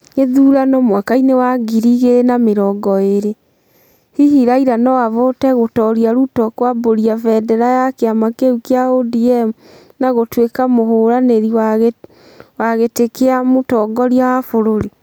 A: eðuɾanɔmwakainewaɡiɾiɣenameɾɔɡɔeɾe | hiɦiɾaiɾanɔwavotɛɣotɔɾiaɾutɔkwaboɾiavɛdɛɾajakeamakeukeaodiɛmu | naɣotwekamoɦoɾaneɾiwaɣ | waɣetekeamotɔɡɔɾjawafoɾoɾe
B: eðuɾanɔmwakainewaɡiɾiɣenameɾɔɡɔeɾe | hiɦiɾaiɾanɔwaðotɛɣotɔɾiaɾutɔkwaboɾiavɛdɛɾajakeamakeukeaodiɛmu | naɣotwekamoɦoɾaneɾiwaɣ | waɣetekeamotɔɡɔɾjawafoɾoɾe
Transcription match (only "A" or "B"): A